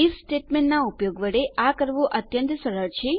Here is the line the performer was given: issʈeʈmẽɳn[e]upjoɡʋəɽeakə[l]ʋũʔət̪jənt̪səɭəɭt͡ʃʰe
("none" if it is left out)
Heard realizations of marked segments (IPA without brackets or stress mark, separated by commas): a, ɾ